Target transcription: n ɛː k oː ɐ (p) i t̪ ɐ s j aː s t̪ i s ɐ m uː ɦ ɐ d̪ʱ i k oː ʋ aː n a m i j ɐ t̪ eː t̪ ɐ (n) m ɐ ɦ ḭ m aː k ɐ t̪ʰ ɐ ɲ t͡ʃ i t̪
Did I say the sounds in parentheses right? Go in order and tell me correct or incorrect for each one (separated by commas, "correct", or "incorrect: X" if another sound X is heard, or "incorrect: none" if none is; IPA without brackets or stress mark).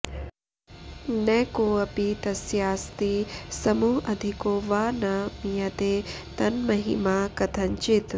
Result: correct, correct